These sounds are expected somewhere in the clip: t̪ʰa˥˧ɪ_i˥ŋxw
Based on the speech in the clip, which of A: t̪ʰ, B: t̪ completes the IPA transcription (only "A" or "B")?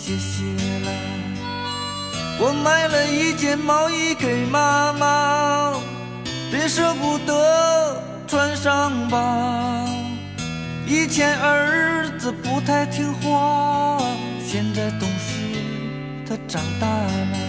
A